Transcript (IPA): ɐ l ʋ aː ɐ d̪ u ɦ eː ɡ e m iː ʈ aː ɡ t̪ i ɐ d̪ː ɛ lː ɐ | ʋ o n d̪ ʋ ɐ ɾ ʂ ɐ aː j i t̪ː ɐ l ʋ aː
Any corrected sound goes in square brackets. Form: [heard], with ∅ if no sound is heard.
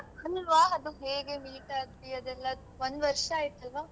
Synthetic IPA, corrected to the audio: ɐ l ʋ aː ɐ d̪ u ɦ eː ɡ e m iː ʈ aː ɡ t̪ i ɐ [d̪] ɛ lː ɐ | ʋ o n d̪ ʋ ɐ ɾ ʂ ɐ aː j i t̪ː ɐ l ʋ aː